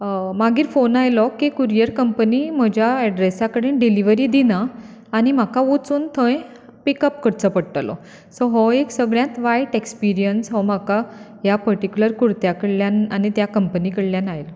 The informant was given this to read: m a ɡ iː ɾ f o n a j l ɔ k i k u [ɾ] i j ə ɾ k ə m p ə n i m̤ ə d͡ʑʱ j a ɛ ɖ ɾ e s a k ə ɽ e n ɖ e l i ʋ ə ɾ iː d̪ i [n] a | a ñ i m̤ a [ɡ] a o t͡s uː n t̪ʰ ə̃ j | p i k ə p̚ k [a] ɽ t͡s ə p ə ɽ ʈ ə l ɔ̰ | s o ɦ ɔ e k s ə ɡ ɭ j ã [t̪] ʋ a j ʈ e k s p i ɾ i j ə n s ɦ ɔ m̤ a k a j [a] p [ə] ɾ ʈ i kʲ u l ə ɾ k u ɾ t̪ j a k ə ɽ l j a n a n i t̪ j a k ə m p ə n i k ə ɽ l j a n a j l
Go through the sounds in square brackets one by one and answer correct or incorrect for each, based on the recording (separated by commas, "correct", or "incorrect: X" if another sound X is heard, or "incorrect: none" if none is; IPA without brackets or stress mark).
correct, correct, incorrect: k, incorrect: ə, correct, correct, correct